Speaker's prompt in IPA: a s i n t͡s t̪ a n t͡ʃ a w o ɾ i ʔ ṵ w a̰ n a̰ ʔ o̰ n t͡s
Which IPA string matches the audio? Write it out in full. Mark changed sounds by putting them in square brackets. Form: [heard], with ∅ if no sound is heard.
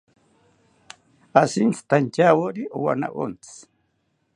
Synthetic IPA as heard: a s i n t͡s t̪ a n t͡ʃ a w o ɾ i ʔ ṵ w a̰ n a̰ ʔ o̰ n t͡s